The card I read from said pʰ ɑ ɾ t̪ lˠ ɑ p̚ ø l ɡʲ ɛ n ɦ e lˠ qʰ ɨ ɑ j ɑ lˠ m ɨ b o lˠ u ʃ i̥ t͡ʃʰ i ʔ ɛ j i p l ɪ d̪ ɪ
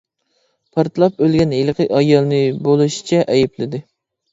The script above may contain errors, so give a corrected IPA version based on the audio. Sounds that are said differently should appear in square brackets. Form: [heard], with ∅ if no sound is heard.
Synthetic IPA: pʰ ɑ ɾ t̪ lˠ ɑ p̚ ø l ɡʲ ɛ n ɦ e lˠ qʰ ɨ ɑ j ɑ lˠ [n] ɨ b o lˠ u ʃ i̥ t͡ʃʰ [ɛ] ʔ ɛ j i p l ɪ d̪ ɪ